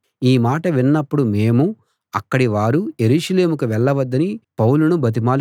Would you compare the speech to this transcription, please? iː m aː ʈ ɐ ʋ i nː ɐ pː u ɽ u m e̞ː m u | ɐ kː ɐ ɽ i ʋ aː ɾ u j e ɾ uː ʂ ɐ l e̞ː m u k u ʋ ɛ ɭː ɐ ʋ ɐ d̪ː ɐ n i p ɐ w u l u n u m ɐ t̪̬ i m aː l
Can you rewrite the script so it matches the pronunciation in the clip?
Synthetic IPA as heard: iː m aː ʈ ɐ ʋ i nː ɐ pː u ɽ u m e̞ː m u | ɐ kː ɐ ɽ i ʋ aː ɾ u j e ɾ uː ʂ ɐ l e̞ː m u k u ʋ ɛ ɭː ɐ ʋ ɐ d̪ː ɐ n i p ɐ w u l u n u b ɐ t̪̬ i m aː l